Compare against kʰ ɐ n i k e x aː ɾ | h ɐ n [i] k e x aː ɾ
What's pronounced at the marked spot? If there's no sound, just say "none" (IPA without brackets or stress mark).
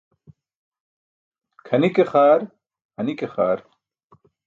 i